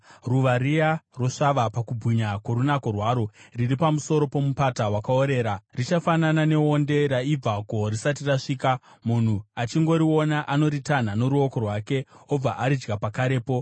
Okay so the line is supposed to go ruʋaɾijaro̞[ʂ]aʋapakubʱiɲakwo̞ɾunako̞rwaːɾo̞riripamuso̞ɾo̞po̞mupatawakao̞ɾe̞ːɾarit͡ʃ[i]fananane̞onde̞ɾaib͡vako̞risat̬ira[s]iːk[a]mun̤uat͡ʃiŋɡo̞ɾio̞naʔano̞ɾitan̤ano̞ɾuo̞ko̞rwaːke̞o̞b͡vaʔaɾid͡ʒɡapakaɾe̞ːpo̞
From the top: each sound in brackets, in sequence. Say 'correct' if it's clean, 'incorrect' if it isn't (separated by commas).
correct, incorrect, incorrect, correct